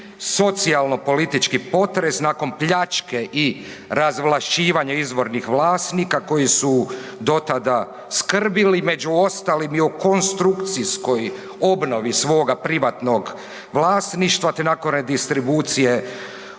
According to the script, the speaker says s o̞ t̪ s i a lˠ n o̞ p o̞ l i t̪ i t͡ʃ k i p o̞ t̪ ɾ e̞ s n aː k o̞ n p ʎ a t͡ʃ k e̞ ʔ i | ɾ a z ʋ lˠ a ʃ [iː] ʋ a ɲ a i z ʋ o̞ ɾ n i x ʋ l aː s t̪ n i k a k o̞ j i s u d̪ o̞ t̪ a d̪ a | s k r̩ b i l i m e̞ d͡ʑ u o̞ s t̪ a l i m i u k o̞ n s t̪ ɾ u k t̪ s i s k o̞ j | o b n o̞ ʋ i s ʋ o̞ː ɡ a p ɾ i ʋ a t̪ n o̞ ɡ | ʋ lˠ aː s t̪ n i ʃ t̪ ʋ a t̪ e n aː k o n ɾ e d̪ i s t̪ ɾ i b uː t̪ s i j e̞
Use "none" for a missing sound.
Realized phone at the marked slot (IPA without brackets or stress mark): iː